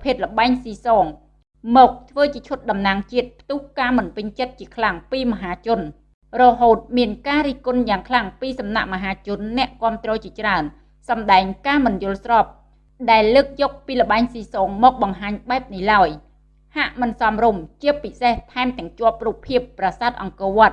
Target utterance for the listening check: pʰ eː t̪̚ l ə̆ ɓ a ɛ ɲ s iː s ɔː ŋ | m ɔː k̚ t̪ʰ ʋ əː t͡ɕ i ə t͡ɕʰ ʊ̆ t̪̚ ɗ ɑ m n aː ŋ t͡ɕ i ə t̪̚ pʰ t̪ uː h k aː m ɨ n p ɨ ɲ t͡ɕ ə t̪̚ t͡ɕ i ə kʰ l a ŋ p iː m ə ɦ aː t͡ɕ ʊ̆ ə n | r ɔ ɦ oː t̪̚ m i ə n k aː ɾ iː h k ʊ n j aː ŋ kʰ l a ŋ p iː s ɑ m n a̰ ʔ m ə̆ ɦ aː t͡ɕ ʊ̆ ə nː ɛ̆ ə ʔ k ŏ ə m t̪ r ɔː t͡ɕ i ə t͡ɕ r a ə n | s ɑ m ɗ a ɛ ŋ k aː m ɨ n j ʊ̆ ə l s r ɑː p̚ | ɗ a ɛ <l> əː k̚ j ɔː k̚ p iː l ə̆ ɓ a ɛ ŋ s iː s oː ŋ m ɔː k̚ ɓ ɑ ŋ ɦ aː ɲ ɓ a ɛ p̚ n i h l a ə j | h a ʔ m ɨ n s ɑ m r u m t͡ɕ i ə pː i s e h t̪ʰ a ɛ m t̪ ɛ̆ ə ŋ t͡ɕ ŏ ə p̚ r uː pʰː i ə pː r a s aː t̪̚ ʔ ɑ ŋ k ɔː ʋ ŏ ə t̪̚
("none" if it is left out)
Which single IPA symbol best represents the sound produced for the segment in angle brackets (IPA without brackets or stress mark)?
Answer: lː